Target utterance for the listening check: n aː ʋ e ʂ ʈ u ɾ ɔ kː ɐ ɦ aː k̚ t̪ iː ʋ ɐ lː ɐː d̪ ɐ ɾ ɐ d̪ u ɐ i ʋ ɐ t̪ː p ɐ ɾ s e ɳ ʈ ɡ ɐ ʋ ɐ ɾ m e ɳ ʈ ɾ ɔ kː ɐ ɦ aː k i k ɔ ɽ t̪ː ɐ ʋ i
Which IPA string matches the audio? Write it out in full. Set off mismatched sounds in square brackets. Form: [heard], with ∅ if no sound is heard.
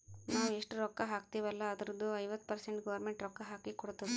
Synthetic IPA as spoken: n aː ʋ e ʂ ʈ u ɾ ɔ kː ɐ ɦ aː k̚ t̪ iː ʋ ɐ lː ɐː d̪ ɐ ɾ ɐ d̪ u ɐ [j] ʋ ɐ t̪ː p ɐ ɾ s e ɳ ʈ ɡ ɐ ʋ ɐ ɾ m e ɳ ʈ ɾ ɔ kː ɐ ɦ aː k i k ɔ ɽ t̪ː ɐ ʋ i